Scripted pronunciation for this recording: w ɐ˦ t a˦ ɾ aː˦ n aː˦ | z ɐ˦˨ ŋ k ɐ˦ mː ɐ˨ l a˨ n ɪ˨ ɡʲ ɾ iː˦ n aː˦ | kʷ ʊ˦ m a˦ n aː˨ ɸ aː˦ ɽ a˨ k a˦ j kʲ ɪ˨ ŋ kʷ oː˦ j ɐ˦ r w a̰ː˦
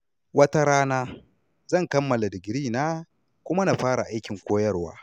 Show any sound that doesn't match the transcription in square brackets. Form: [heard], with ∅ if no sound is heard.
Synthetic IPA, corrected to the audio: w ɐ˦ t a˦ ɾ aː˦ n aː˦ | z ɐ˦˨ ŋ k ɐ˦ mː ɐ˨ l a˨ [d] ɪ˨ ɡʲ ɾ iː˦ n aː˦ | kʷ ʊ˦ m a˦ n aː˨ ɸ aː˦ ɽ a˨ [ʔ] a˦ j kʲ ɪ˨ ŋ kʷ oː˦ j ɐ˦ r w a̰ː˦